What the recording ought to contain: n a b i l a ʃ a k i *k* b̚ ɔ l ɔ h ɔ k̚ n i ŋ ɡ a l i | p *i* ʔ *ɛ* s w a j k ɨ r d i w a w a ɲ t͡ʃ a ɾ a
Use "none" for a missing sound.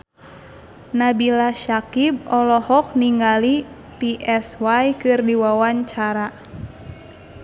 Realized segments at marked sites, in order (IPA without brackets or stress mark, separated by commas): none, i, ɛ